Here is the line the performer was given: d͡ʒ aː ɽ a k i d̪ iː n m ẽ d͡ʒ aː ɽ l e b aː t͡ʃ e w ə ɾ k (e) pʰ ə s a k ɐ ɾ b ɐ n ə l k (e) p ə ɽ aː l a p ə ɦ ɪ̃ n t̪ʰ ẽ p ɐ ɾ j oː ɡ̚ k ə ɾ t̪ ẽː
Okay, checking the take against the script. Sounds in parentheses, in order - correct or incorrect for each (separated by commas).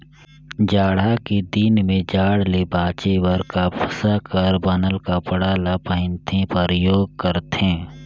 incorrect, incorrect